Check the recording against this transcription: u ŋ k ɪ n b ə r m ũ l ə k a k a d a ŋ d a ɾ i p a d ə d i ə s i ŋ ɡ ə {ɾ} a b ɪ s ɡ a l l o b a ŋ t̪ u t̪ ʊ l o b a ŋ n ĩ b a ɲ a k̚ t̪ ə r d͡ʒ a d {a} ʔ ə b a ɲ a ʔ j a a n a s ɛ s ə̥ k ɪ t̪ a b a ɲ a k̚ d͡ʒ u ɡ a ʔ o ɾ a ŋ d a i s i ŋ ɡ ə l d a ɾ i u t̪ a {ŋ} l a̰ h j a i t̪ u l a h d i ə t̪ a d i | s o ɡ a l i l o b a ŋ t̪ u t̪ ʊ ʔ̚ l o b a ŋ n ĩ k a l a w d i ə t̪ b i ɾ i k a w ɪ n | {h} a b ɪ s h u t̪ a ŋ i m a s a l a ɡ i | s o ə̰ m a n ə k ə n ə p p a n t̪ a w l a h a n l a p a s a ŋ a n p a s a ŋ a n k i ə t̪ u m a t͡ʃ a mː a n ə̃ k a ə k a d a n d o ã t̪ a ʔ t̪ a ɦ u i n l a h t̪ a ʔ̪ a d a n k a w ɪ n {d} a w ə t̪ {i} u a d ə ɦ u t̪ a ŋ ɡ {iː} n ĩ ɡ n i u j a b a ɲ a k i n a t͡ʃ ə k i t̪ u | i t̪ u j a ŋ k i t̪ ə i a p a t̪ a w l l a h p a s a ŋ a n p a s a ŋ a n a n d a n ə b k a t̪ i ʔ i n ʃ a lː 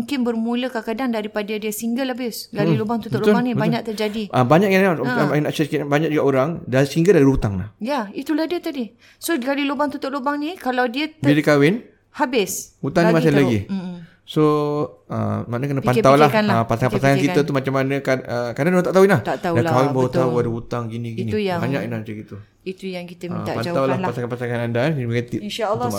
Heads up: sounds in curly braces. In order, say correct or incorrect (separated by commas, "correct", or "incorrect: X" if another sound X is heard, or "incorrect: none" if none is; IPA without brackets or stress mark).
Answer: incorrect: l, incorrect: i, correct, correct, incorrect: b, incorrect: a, incorrect: i